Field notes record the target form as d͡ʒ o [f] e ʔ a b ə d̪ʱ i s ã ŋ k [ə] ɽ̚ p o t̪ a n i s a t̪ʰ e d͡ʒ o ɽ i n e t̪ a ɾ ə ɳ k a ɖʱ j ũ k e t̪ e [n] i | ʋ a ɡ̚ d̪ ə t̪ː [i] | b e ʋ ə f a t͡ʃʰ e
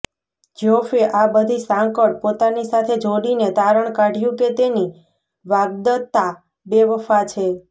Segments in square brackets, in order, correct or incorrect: correct, correct, correct, incorrect

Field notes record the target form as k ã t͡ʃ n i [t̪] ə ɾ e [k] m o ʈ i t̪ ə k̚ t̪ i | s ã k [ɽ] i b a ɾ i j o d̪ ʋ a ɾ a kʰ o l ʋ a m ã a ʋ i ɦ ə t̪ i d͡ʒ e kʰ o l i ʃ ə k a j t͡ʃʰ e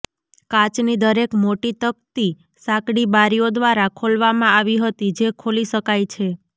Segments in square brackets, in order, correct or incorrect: incorrect, correct, correct

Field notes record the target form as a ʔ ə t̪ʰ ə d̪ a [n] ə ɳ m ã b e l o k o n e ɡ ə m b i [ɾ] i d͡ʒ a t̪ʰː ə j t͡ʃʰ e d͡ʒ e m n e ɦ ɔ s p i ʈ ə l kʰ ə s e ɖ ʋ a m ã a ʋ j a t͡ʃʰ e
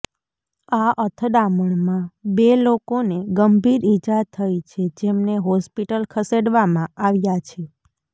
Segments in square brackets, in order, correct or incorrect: incorrect, correct

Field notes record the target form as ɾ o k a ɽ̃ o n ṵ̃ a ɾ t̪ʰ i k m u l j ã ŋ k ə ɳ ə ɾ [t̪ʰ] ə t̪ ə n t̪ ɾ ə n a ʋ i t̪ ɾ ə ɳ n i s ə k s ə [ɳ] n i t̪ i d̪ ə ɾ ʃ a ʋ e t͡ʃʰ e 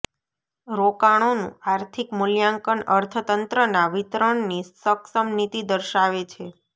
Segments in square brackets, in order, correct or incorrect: correct, incorrect

